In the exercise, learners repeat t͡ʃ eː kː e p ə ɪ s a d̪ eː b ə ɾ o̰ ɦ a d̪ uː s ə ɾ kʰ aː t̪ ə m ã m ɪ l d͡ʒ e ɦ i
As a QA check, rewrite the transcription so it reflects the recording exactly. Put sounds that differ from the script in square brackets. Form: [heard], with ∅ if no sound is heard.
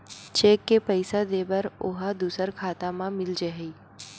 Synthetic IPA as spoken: t͡ʃ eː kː e p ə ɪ s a d̪ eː b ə ɾ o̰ ɦ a d̪ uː s ə ɾ kʰ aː t̪ [a] m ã m ɪ l d͡ʒ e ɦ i